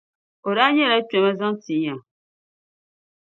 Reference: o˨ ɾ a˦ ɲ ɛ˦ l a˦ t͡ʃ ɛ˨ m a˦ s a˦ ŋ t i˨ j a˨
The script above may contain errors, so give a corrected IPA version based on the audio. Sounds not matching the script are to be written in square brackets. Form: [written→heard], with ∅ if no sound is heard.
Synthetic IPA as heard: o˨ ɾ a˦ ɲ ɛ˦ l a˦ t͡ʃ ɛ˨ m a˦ [s→z] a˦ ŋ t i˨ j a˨